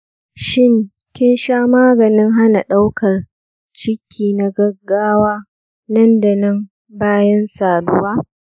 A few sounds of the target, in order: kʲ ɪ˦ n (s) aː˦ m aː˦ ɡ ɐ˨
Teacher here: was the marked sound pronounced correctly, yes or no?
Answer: no